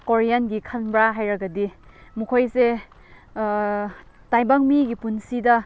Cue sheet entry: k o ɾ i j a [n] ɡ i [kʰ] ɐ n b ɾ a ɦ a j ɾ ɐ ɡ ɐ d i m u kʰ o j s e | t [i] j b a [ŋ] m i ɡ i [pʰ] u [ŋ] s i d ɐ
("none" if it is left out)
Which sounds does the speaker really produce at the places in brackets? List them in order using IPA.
n, kʰ, a, ŋ, p, n

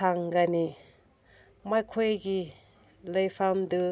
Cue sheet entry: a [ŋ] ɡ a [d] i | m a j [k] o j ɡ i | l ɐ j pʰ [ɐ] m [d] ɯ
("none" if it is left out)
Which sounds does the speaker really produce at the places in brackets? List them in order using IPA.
ŋ, n, kʰ, a, d

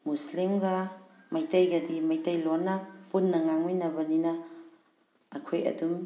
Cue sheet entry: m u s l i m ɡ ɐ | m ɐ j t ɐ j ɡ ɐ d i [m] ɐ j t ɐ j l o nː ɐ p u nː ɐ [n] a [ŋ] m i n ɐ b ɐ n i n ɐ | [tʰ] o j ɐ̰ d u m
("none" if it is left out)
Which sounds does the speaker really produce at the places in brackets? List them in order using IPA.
m, ŋ, ŋ, kʰ

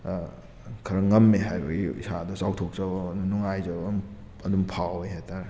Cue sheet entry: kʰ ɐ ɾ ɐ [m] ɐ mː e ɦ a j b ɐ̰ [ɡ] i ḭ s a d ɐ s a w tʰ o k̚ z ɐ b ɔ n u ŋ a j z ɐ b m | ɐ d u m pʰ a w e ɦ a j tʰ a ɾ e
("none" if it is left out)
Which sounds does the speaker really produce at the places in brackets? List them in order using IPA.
ŋ, ɡ

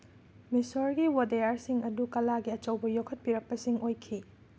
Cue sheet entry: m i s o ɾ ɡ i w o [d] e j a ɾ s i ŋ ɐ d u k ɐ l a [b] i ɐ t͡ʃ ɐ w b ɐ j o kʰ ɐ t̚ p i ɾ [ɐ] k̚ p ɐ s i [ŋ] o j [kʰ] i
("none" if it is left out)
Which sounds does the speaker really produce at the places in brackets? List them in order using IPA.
d, ɡ, ɐ, ŋ, kʰ

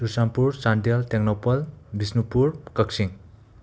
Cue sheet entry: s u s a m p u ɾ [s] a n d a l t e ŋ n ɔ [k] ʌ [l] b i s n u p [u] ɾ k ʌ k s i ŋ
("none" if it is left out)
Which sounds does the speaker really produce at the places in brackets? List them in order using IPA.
s, p, l, u

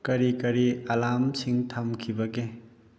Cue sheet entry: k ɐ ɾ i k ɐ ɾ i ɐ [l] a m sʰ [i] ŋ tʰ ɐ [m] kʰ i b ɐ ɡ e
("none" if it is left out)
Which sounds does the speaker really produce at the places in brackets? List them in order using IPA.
l, i, m

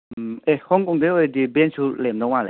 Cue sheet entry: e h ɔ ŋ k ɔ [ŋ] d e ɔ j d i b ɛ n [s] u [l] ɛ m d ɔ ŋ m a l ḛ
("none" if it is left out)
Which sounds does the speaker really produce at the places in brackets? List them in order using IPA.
ŋ, s, l

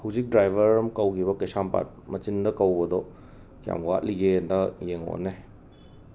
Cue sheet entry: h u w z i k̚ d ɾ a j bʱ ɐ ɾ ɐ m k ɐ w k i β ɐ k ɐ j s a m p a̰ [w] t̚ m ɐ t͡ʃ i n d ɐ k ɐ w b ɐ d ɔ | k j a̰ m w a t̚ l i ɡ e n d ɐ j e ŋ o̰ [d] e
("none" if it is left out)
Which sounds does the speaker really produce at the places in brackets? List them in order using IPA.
none, n

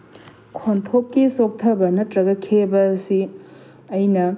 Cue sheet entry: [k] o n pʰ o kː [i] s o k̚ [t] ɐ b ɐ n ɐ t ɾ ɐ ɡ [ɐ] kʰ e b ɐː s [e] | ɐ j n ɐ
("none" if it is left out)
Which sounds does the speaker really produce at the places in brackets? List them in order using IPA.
kʰ, i, tʰ, ɐ, i

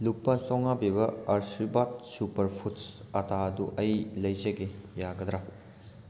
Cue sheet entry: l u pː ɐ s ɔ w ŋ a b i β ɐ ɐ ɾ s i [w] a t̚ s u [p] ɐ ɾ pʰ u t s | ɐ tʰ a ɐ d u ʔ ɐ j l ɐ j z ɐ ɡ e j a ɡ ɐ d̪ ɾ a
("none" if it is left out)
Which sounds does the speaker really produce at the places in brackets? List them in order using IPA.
b, p

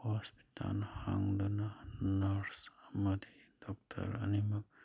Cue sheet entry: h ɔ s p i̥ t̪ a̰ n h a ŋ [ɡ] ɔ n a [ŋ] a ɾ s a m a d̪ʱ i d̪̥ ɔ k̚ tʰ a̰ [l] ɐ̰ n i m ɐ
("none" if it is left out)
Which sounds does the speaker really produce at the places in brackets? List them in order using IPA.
d, n, ɾ

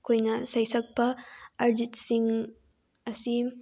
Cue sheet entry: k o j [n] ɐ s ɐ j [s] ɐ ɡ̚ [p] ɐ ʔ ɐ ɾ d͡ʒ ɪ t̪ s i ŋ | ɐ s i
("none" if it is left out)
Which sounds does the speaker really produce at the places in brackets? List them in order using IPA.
n, s, p

